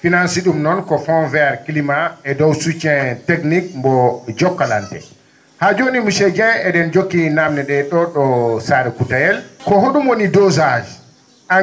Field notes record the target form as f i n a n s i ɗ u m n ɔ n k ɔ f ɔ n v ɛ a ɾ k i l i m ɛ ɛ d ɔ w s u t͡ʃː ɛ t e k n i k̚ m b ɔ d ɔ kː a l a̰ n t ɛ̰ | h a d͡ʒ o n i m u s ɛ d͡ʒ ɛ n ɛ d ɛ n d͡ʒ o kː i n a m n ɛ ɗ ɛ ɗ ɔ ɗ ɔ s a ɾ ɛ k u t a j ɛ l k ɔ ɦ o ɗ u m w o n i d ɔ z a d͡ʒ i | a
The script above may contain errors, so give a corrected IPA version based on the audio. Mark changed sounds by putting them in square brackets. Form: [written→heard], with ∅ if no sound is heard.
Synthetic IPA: f i n a n s i ɗ u m n ɔ n k ɔ f ɔ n v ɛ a ɾ k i l i m [ɛ→a] ɛ d ɔ w s u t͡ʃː ɛ t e k n i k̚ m b ɔ [d→d͡ʒ] ɔ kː a l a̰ n t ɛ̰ | h a d͡ʒ o n i m u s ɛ d͡ʒ ɛ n ɛ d ɛ n d͡ʒ o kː i n a m n ɛ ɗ ɛ ɗ ɔ ɗ ɔ s a ɾ ɛ k u t a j ɛ l k ɔ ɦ o ɗ u m w o n i d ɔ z a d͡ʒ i | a